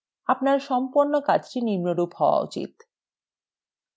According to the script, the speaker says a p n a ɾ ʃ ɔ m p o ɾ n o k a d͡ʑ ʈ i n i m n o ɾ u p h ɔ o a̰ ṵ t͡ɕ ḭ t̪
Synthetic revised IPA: a p n a ɾ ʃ ɔ m p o ɾ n o k a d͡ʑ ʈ i n i m n o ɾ u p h ɔ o a̰ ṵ t͡ɕ ḭ t̪